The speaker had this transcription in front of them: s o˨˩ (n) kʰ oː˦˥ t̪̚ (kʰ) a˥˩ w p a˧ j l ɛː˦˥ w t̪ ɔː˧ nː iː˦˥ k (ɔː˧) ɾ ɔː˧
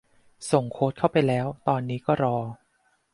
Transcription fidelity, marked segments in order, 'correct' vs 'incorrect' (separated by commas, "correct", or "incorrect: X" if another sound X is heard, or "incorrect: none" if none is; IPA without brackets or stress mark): incorrect: ŋ, correct, incorrect: ɔː˥˩